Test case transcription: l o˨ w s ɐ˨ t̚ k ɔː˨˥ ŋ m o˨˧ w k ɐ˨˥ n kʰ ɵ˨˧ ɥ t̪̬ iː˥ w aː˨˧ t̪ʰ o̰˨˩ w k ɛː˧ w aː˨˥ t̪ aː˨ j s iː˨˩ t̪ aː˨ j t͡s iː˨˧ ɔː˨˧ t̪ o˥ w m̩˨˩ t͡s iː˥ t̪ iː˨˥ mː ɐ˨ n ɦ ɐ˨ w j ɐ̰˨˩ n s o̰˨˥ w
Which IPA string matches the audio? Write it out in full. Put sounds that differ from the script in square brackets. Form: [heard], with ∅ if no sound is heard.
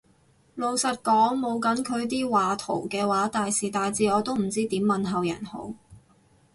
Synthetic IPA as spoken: l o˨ w s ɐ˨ t̚ k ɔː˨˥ ŋ m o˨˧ w k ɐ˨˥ n kʰ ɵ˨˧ ɥ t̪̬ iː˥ w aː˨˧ t̪ʰ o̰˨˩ w k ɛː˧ w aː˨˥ t̪ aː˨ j s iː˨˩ t̪ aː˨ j t͡s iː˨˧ ɔː˨˧ t̪ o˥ w m̩˨˩ t͡s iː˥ t̪ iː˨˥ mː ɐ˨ n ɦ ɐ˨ w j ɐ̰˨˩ n [h] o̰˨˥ w